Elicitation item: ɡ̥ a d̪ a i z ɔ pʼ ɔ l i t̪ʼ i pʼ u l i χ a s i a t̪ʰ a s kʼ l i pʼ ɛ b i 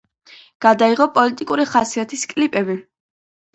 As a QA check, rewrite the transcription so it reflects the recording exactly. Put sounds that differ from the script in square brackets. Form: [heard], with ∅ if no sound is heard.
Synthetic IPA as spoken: ɡ̥ a d̪ a i [ʁ] ɔ pʼ ɔ l i t̪ʼ i [kʼ] u [ɾ] i χ a s i a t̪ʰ [i] s kʼ l i pʼ ɛ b i